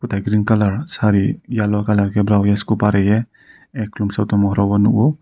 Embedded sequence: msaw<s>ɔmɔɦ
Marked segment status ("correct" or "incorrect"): incorrect